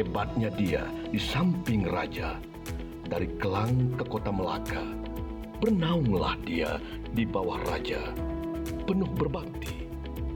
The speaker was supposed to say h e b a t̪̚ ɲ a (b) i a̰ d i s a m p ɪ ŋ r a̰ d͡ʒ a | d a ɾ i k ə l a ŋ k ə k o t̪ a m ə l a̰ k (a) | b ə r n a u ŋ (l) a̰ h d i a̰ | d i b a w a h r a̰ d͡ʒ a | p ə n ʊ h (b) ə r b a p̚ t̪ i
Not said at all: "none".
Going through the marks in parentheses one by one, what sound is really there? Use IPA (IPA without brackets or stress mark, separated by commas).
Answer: d, a, l, b